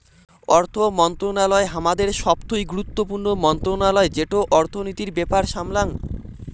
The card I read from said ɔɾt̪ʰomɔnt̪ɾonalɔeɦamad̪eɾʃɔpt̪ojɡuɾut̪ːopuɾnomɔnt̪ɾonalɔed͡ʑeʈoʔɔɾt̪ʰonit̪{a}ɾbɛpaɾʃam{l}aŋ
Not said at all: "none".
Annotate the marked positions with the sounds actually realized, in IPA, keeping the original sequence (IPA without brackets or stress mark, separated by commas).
i, l